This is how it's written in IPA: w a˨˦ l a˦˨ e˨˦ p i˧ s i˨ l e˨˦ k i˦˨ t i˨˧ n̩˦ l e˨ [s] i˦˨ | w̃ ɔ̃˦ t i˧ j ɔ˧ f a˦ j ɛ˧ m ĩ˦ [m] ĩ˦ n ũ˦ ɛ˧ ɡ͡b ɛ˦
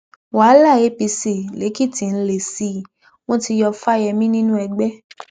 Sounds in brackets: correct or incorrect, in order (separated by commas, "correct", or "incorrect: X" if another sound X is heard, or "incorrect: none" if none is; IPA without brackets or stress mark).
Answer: correct, incorrect: n